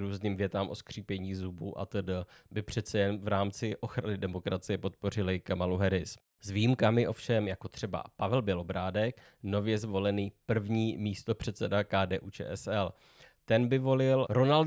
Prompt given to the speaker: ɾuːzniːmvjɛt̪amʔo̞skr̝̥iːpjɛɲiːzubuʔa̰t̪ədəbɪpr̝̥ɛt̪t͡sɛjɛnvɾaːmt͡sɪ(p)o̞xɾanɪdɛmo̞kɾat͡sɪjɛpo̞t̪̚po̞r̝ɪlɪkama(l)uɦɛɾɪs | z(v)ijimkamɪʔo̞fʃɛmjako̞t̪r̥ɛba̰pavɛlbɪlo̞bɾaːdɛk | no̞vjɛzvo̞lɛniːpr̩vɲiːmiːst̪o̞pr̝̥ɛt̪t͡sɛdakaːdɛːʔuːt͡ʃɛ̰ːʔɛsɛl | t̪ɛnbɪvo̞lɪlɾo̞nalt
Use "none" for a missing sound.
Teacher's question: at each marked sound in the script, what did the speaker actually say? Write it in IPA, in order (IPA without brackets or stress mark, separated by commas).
ʔ, l, v